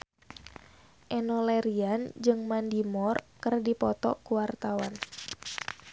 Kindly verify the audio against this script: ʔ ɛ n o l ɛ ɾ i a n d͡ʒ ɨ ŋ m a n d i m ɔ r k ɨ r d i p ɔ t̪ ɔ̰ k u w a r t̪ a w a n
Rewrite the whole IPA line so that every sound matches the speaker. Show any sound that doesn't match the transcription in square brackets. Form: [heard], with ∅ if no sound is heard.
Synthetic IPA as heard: ʔ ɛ n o l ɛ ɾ i a n d͡ʒ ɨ ŋ m a n d i m ɔ r k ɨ r d i p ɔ t̪ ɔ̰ k u w a r t̪ a w a n